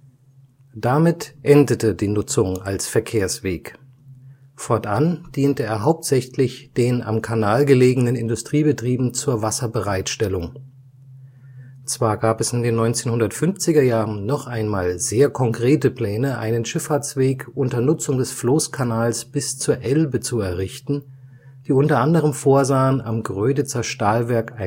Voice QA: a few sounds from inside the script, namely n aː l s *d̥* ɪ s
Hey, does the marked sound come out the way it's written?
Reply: no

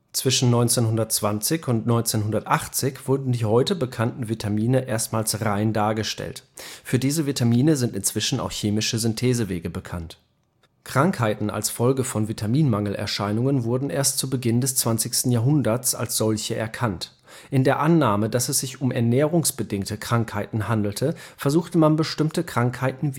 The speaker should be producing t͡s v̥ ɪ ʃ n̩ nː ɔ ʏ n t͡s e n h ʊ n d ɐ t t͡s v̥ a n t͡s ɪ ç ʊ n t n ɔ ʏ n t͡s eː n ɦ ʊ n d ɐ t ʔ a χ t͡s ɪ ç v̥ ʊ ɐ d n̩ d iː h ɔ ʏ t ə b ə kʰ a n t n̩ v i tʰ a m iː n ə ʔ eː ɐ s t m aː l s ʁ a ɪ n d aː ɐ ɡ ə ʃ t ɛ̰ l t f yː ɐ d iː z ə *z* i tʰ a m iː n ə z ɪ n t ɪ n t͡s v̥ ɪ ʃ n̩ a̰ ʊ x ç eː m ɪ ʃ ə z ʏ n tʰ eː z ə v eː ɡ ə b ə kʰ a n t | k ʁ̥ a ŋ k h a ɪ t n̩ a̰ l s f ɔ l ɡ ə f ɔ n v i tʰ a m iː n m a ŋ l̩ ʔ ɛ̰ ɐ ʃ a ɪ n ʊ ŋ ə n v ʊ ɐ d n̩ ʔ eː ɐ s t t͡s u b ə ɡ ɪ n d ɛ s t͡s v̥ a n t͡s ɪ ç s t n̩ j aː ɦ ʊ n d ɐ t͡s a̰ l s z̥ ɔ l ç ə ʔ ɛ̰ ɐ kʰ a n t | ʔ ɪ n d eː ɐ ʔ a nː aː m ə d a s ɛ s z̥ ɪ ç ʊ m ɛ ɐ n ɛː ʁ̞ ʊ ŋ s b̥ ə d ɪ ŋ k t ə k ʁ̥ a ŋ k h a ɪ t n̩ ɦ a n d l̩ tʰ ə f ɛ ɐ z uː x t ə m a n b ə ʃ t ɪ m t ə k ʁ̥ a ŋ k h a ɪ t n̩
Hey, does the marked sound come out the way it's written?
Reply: no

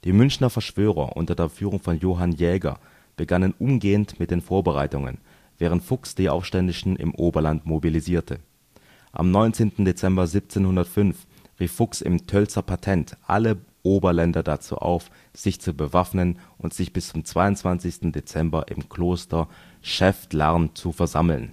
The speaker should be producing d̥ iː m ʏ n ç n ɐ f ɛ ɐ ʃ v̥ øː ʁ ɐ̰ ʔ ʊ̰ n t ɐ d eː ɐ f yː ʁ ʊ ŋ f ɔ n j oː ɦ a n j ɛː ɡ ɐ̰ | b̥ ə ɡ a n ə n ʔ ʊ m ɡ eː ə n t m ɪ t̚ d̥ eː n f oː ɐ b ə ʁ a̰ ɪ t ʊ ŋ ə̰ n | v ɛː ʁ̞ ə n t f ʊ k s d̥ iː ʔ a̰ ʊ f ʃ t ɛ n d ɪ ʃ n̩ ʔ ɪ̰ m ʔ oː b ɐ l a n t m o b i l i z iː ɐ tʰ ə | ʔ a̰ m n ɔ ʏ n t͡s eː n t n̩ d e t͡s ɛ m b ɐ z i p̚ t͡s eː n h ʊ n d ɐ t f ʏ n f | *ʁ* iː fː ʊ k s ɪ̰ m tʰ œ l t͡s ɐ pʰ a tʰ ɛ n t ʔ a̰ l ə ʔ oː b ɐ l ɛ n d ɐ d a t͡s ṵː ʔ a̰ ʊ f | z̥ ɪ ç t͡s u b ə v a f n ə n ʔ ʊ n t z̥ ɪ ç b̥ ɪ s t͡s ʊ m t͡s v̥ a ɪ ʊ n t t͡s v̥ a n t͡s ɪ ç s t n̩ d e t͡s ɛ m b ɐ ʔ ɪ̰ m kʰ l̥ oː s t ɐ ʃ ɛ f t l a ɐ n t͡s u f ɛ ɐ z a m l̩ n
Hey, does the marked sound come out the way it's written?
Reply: yes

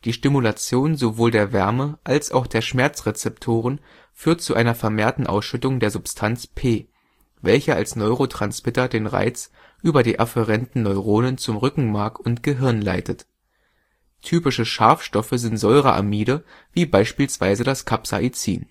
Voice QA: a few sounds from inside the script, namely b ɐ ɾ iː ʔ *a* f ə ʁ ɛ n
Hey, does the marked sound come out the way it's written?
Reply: yes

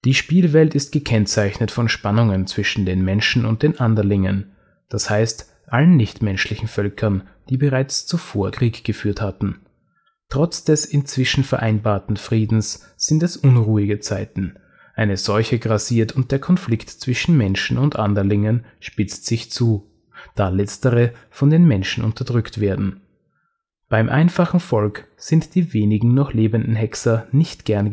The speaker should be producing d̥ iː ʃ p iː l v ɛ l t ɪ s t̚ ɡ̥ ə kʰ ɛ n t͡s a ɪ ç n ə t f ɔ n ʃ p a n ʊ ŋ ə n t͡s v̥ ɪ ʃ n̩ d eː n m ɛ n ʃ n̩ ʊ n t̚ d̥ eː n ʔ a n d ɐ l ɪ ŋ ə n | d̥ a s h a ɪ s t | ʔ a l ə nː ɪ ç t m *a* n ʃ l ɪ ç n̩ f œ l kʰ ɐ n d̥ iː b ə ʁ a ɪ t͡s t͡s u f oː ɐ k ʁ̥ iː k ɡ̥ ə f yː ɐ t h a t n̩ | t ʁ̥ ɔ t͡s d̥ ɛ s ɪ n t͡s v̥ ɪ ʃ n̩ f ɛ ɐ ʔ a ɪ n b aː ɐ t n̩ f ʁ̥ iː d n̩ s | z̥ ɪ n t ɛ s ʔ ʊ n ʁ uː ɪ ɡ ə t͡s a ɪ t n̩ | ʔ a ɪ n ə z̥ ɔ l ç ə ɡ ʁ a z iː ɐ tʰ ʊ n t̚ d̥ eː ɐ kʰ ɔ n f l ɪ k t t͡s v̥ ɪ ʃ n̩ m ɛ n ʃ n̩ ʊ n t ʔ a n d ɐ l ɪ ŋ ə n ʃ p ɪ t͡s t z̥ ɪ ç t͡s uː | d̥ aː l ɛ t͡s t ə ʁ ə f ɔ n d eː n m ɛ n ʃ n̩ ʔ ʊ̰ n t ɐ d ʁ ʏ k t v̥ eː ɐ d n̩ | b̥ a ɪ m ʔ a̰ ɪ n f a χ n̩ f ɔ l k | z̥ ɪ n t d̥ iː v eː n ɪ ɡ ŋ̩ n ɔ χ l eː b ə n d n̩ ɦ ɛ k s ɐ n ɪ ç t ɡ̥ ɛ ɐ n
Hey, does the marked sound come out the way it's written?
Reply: no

